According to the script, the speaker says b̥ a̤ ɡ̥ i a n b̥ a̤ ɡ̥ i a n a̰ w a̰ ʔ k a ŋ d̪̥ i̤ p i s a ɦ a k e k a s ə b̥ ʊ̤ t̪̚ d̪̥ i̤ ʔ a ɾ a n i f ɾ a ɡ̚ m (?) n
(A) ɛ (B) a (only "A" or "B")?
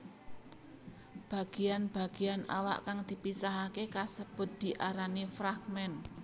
A